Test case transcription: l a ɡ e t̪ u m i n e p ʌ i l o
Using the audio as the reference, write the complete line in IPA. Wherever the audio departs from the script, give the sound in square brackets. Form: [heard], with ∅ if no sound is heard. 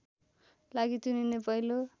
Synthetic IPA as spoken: l a ɡ [i] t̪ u [n] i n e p ʌ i l o